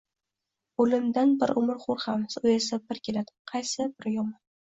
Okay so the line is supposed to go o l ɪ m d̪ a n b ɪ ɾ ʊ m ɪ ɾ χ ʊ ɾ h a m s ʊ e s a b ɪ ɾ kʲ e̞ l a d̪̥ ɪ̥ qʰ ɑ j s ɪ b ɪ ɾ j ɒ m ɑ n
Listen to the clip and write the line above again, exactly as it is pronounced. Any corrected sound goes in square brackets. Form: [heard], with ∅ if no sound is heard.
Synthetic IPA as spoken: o l ɪ m d̪ a n b ɪ ɾ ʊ m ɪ ɾ χ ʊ ɾ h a m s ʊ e s a b ɪ ɾ kʲ e̞ l a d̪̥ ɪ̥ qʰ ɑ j s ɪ b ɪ ɾ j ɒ m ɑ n